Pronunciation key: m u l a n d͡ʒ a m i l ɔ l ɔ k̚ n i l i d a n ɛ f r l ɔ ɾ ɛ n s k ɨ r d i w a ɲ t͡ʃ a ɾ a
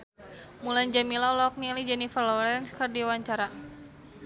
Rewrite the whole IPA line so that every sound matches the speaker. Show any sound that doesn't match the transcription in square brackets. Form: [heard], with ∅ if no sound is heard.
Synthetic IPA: m u l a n d͡ʒ a m i l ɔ l ɔ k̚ n i l i [d͡ʒ] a n [i] f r l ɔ ɾ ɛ n s k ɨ r d i w a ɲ t͡ʃ a ɾ a